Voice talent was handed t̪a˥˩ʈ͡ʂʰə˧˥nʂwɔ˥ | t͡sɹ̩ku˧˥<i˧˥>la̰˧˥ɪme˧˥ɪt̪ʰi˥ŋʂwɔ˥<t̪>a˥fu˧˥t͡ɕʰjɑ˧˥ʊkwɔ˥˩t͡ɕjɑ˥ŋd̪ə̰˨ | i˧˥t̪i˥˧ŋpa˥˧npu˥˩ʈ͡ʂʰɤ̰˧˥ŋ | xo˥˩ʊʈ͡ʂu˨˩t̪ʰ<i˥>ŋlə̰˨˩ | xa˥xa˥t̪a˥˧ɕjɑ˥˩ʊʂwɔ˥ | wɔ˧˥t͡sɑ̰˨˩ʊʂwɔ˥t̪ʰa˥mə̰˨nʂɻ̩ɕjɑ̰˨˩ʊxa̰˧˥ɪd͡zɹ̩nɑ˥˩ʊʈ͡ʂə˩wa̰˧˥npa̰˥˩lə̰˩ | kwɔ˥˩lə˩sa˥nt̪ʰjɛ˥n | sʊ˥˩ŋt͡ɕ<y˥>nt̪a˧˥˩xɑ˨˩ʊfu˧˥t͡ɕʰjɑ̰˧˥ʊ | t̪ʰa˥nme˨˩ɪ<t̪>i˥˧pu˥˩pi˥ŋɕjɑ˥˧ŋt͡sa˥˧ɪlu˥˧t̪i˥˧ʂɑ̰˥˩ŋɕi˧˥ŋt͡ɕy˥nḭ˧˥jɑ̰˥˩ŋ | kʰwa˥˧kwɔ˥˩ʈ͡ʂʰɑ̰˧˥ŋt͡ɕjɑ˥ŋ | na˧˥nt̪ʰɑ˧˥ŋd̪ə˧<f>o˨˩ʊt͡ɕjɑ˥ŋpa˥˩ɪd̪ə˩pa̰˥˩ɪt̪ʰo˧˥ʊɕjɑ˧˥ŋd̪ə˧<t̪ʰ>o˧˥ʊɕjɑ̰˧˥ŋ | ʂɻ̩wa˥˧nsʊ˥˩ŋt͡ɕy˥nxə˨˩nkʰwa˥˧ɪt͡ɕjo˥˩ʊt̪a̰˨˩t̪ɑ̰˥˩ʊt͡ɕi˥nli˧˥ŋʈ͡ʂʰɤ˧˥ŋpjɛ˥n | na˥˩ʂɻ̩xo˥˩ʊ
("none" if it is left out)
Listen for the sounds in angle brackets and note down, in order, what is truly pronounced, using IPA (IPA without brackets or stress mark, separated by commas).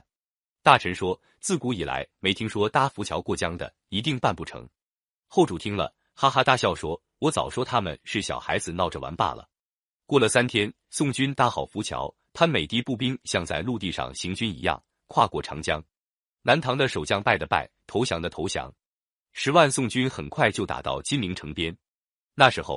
i˨˩, t̪, i˥, y˥, t̪, ʂ, t̪ʰ